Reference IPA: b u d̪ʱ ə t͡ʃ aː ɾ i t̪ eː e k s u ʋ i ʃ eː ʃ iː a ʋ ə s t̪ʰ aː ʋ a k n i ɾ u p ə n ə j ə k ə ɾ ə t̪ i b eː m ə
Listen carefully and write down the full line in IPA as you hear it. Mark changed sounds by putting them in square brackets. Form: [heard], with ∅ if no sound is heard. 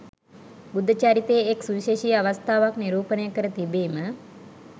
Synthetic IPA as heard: b u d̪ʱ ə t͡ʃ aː ɾ i t̪ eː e k s u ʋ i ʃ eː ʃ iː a ʋ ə s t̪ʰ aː ʋ a k n i ɾ [uː] p ə n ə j ə k ə ɾ ə t̪ i b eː m ə